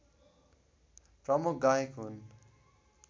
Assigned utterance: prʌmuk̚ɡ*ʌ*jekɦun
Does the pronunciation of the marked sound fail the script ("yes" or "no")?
yes